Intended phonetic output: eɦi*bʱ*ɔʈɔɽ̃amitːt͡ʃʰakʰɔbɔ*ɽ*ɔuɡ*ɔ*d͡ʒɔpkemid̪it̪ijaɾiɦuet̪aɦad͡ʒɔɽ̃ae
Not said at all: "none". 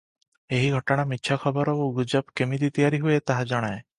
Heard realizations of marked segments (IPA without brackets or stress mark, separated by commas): ɡʱ, ɾ, u